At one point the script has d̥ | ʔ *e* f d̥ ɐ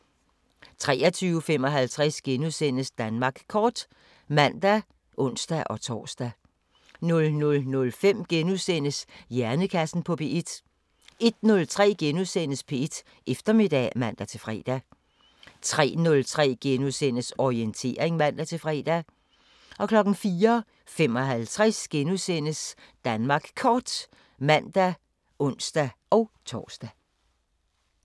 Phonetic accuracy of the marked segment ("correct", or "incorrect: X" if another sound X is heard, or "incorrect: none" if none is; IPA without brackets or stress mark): correct